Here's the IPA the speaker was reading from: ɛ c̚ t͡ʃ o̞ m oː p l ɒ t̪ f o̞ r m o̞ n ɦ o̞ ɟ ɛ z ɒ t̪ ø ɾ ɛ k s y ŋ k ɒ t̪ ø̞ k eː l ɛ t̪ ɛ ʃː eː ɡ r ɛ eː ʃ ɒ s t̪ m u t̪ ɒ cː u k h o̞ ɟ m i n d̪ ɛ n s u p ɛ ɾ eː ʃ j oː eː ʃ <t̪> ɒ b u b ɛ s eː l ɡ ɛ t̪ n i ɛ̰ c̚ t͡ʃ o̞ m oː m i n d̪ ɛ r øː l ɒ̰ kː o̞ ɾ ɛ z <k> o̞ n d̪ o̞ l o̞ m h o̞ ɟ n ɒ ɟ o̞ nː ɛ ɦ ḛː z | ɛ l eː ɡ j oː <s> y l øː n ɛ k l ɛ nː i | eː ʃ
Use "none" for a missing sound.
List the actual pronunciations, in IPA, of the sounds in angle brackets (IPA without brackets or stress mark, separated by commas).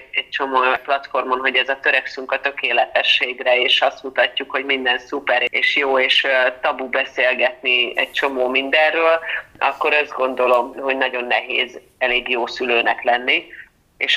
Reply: t̪, ɡ, s